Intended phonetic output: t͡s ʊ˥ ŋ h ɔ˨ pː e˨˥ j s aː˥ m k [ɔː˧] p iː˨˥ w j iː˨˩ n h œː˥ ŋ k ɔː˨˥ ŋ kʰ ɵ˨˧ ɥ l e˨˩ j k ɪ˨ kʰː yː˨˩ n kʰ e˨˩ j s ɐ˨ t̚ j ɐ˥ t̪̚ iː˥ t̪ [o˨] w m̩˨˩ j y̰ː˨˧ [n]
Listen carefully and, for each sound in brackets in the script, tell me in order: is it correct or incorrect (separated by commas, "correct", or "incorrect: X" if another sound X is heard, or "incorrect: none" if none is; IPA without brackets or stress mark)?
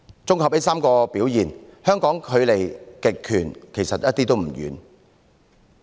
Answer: correct, incorrect: o˥, correct